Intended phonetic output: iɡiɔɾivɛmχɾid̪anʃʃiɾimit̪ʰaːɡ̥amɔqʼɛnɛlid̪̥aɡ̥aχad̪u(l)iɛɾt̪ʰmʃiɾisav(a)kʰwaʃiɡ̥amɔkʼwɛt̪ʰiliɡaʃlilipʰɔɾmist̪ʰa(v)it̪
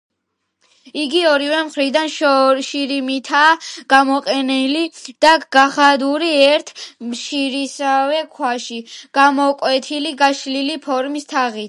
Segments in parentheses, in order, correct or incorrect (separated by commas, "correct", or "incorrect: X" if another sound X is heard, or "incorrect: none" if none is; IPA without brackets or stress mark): incorrect: ɾ, incorrect: ɛ, incorrect: ʁ